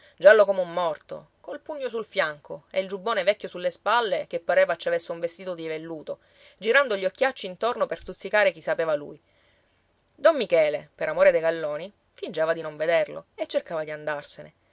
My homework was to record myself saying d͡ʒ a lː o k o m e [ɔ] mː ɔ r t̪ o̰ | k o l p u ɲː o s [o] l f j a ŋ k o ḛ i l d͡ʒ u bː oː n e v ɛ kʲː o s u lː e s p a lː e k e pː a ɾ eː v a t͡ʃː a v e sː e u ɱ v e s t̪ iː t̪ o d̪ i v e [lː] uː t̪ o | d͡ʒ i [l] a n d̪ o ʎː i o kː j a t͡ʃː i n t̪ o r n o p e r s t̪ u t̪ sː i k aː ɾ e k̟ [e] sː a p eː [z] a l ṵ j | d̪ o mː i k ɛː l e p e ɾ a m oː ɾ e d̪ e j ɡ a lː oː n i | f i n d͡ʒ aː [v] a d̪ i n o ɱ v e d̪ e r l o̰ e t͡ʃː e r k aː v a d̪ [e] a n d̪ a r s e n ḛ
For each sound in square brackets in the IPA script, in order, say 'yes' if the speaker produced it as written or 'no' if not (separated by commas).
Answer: no, no, yes, no, no, no, yes, no